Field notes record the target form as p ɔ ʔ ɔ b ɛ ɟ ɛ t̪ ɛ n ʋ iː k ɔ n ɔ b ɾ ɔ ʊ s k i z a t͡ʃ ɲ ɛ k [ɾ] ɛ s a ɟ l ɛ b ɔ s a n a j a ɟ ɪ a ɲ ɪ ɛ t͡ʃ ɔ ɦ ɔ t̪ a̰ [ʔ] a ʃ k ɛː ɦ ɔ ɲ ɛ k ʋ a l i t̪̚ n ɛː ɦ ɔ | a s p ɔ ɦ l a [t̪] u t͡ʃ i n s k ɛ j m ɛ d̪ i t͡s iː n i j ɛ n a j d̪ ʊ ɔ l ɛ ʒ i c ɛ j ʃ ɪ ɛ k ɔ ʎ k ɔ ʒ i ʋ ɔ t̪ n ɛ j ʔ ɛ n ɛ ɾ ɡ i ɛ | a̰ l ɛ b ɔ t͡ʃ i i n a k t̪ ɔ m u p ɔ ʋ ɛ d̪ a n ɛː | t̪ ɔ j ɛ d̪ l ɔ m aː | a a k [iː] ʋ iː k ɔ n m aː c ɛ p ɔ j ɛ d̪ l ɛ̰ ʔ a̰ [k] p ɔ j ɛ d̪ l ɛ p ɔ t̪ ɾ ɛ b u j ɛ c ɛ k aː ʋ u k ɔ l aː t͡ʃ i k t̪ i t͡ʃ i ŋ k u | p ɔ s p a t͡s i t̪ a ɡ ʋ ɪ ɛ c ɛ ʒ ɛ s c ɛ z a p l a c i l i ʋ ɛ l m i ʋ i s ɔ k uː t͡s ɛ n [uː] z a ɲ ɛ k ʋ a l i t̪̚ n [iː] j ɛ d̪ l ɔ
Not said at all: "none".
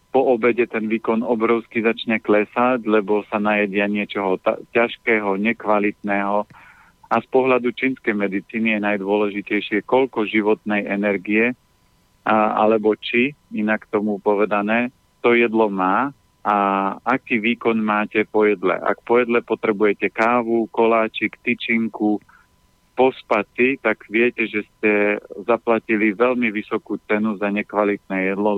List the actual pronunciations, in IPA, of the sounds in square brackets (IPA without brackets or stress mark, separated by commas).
l, c, d̪, iː, k, u, ɛː